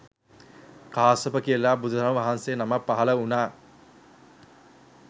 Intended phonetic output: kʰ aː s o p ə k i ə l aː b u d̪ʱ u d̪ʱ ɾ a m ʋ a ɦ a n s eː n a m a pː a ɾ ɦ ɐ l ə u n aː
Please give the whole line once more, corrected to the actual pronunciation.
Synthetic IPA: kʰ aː s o p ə k i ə l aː b u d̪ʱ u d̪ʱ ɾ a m ʋ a ɦ a n s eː n a m a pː a ɦ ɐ l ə u n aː